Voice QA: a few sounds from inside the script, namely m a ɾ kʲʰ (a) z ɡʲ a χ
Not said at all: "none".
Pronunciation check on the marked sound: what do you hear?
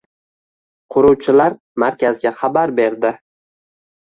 a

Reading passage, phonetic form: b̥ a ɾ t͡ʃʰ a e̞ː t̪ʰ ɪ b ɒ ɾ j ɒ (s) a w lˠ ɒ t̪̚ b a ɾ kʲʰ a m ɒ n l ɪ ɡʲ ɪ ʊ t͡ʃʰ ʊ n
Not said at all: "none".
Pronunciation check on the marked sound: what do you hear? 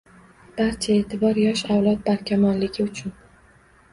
ʃ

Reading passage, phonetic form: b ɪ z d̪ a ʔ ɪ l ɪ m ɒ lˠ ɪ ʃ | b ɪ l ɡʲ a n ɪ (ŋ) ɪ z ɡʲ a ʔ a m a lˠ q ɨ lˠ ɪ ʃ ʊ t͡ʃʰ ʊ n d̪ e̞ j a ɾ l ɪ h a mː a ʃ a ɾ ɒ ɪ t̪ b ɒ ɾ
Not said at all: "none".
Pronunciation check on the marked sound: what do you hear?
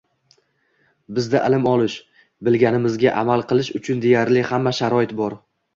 m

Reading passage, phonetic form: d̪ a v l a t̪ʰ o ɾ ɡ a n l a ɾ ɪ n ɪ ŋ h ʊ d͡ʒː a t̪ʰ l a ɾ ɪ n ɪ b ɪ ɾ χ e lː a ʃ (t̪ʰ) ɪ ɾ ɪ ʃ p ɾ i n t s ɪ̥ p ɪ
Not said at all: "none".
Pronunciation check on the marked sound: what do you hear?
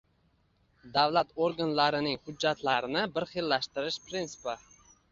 t̪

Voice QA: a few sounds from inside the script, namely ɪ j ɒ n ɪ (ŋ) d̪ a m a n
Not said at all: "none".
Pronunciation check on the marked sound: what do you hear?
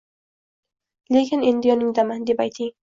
ŋ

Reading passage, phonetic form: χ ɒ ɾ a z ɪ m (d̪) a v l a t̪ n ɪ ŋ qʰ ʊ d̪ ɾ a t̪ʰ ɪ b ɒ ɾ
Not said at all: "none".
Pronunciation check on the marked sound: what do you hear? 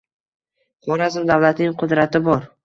d̪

